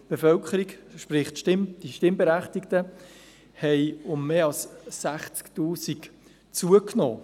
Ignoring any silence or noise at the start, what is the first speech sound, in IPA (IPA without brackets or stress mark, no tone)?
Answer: b̥